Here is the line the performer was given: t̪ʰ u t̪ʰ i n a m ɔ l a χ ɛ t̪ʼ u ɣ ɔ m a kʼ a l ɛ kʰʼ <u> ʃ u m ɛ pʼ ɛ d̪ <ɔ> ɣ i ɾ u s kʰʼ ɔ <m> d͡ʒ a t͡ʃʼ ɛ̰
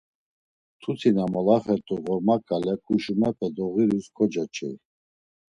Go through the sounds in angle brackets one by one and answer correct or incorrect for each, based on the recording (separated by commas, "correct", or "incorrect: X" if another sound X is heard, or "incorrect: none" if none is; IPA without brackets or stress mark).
correct, correct, incorrect: none